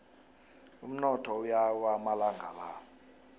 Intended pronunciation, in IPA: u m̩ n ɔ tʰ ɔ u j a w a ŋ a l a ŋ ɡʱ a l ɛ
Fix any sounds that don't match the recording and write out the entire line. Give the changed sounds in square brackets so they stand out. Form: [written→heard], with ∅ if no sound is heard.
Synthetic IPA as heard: u m̩ n ɔ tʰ ɔ u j a w a [ŋ→m] a l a ŋ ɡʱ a l [ɛ→a]

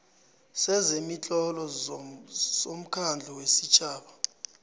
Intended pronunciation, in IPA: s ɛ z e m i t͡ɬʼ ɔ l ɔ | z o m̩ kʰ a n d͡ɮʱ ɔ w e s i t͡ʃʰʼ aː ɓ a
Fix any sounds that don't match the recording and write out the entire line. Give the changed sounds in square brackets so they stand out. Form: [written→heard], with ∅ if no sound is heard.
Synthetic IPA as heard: s ɛ z e m i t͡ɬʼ ɔ l ɔ | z o m̩ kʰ a n d͡ɮʱ ɔ w e s i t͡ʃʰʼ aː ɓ a

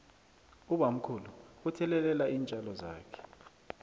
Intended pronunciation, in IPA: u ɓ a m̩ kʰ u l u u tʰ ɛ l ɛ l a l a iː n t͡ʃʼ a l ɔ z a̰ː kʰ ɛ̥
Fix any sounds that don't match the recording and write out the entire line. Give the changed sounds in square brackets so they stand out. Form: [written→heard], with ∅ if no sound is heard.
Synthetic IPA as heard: u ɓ a m̩ kʰ u l u u tʰ ɛ l ɛ l [a→ɛ] l a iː n t͡ʃʼ a l ɔ z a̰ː kʰ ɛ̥

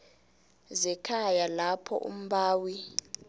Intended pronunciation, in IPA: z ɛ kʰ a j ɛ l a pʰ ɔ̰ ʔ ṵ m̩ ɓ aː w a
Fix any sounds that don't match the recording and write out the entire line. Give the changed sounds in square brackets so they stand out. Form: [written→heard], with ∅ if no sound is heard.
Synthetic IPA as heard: z ɛ kʰ a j [ɛ→a] l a pʰ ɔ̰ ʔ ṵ m̩ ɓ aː w [a→i]

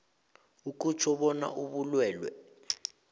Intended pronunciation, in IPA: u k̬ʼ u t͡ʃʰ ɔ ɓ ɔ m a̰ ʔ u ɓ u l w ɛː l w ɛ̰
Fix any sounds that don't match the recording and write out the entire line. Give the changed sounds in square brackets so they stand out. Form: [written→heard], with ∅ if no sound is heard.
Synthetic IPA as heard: u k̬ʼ u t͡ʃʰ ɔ ɓ ɔ [m→n] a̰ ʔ u ɓ u l w ɛː l w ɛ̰

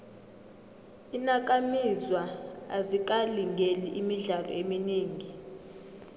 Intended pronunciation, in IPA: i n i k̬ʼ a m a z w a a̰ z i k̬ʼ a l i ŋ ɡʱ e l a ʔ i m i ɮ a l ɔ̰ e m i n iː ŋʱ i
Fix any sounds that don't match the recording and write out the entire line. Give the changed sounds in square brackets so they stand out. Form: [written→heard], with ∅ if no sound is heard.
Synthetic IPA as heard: i n [i→a] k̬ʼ a m [a→i] z w a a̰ z i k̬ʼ a l i ŋ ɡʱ e l [a→i] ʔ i m i ɮ a l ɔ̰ e m i n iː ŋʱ i

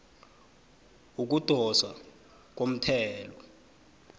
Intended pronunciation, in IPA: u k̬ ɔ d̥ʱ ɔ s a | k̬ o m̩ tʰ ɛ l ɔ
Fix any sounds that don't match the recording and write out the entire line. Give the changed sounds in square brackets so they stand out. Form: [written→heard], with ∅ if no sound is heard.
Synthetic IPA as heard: u k̬ [ɔ→u] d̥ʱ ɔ s a | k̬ o m̩ tʰ [ɛ→ɛː] l ɔ

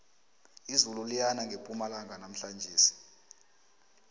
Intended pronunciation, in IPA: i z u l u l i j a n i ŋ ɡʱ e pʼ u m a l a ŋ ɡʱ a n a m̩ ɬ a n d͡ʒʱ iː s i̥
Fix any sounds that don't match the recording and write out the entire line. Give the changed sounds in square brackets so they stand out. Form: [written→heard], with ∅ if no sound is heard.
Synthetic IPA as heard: i z u l u l i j a n [i→a] ŋ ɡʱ e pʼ u m a l a ŋ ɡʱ a n a m̩ ɬ a n d͡ʒʱ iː s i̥

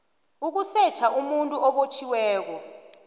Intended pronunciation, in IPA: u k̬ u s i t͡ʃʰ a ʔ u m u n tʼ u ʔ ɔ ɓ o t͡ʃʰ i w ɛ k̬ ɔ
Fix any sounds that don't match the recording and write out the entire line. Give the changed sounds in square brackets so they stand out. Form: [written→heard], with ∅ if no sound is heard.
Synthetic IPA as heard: u k̬ u s [i→ɛ] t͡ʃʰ a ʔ u m u n tʼ u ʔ ɔ ɓ o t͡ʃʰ i w [ɛ→ɛː] k̬ ɔ

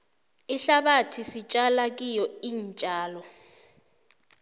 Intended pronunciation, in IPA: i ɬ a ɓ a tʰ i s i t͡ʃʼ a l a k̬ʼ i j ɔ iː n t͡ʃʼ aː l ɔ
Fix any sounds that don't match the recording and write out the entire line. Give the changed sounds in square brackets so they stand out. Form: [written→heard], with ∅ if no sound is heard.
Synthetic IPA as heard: i ɬ a ɓ a tʰ i s i t͡ʃʼ a l a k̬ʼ i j ɔ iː n t͡ʃʼ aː l ɔ

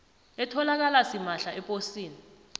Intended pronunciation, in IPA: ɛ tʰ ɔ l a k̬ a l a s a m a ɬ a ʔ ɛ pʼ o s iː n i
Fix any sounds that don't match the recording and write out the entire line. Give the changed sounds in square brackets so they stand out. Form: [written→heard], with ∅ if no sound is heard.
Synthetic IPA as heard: ɛ tʰ ɔ l a k̬ a l a s [a→i] m a ɬ a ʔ ɛ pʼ o s iː n i

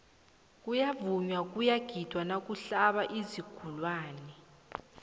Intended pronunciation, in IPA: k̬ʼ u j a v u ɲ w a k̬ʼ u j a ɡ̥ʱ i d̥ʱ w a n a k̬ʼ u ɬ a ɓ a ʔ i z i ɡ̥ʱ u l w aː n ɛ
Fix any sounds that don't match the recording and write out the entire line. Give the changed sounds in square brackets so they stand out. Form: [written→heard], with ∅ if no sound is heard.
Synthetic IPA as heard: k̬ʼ u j a v u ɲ w a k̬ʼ u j a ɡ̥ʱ i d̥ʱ w a n a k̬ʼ u ɬ a ɓ a ʔ i z i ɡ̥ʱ u l w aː n ɛ

